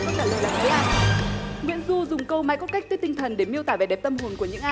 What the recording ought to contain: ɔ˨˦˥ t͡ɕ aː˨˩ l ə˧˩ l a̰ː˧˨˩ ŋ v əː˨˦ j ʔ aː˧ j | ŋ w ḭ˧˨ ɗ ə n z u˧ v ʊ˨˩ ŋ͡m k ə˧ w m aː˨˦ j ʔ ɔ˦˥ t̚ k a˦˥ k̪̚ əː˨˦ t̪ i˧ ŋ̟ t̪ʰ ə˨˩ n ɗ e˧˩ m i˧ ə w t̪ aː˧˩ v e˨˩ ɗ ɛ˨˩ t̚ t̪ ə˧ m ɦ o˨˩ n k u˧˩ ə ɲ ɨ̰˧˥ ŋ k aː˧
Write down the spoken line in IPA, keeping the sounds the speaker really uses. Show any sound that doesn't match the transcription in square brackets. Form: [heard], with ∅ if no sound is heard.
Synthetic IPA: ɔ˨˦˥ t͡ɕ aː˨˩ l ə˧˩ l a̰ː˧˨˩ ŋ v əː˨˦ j ʔ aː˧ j | ŋ w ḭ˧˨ [∅] ə n z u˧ [z] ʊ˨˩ ŋ͡m k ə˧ w m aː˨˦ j [k] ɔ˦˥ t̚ k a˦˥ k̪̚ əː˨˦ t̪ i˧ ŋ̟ t̪ʰ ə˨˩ n ɗ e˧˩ m i˧ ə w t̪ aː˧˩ v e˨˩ ɗ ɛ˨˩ [p̚] t̪ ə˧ m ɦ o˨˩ n k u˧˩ ə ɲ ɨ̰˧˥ ŋ [ʔ] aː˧